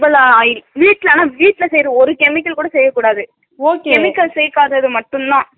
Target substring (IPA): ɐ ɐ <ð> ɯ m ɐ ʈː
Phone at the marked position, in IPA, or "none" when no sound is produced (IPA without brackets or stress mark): ð